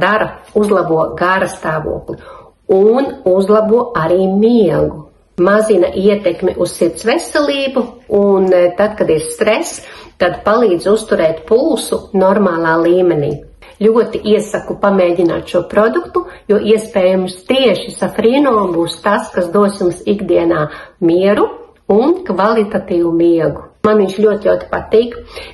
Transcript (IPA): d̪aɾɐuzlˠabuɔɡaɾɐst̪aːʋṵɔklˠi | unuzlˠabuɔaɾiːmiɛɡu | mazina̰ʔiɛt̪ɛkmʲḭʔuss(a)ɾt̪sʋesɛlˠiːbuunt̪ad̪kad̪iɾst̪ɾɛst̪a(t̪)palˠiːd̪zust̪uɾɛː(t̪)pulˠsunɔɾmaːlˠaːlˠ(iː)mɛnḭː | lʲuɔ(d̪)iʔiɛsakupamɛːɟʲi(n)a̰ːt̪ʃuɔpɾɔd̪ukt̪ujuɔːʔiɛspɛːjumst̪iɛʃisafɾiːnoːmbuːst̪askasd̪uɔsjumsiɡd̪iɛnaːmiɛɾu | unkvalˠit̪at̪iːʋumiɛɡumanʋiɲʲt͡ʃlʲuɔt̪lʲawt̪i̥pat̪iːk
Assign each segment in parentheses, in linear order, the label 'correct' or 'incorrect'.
incorrect: i, incorrect: d̪, correct, correct, incorrect: t̪, correct

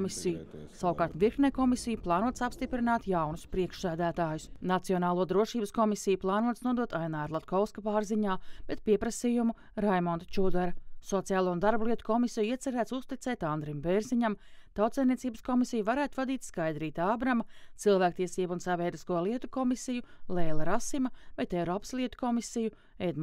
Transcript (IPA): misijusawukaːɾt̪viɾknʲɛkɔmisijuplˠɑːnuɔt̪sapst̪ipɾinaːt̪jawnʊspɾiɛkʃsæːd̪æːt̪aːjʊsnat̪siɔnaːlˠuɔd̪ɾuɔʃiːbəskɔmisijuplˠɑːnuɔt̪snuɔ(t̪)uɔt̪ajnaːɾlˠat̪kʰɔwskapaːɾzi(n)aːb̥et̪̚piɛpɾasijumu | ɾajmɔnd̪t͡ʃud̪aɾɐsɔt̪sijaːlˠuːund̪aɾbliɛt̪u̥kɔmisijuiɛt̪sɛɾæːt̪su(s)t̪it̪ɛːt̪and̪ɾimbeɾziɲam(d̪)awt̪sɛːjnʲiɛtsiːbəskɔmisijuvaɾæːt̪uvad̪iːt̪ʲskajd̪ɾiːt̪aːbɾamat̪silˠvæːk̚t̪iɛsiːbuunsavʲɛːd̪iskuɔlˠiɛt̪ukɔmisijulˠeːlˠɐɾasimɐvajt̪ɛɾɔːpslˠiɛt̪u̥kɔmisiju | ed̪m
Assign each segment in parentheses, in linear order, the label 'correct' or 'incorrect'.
incorrect: d̪, incorrect: ɲ, correct, incorrect: t̪

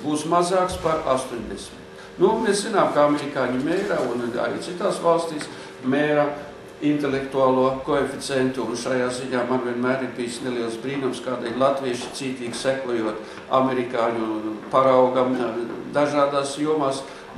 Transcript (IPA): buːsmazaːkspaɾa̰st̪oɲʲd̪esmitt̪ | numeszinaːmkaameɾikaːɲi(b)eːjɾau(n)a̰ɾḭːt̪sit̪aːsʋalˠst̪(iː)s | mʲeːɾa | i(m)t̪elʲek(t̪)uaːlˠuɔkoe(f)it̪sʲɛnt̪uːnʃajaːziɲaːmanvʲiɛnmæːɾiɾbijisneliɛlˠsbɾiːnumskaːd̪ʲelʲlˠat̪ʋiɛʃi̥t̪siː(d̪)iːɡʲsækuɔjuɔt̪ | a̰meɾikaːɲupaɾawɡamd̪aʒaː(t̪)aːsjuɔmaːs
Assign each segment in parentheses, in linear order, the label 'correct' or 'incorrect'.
incorrect: m, correct, correct, incorrect: n, correct, correct, incorrect: t̪, incorrect: d̪

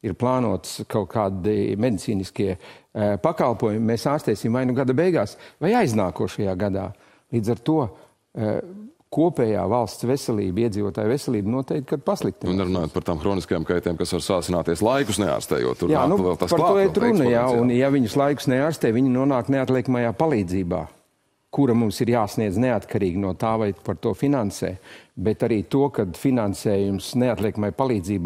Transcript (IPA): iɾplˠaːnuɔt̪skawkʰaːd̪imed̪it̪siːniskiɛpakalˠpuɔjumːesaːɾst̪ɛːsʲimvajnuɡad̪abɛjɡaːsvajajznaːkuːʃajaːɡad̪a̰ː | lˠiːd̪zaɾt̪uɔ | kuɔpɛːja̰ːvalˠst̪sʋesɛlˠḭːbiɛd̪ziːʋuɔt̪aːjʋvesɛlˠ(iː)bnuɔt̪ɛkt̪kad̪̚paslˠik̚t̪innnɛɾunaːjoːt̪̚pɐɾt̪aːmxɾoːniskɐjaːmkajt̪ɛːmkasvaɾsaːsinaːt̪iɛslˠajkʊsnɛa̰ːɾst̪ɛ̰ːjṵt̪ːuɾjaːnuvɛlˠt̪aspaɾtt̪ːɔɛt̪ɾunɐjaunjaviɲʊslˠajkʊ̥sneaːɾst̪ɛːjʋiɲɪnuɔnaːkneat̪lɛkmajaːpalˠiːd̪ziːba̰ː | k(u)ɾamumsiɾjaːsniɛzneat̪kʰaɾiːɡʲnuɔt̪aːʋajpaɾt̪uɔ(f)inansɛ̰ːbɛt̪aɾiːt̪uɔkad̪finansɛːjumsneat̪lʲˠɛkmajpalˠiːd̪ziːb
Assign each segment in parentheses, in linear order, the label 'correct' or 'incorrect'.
correct, correct, correct

